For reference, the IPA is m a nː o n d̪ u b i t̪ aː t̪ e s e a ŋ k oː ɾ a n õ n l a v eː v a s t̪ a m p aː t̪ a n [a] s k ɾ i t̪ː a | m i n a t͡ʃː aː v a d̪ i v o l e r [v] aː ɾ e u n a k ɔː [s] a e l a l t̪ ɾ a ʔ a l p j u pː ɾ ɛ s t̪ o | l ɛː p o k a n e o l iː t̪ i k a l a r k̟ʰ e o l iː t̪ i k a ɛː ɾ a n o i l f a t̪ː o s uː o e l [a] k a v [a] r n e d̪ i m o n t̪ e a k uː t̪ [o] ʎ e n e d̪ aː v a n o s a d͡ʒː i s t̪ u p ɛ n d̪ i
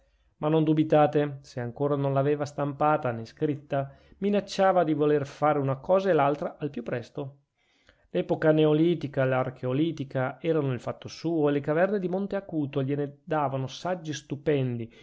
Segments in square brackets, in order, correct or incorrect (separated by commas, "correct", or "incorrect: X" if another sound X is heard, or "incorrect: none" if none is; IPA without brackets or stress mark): incorrect: e, incorrect: f, incorrect: z, incorrect: e, incorrect: ɛ, correct